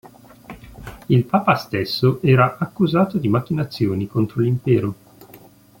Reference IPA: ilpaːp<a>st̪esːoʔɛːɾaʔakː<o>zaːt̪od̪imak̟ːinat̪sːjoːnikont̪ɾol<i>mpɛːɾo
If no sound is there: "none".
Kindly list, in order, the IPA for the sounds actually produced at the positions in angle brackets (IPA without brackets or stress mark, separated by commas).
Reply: a, u, i